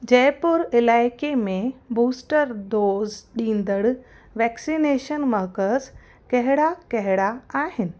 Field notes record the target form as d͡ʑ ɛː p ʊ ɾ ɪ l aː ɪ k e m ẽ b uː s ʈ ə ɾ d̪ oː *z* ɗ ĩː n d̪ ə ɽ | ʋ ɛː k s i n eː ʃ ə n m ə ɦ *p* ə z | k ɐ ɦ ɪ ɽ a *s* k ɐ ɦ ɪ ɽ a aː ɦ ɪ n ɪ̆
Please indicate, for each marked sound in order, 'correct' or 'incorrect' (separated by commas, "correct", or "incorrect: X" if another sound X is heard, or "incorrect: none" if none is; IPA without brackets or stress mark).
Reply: correct, incorrect: k, incorrect: none